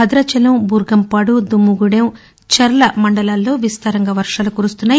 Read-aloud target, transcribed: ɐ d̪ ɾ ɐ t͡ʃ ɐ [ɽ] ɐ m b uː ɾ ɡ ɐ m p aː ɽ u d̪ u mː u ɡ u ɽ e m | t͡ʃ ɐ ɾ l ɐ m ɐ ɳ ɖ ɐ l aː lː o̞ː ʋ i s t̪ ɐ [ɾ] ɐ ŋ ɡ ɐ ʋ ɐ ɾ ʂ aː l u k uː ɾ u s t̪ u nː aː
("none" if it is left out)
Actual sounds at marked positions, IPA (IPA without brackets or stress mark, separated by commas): l, ɾ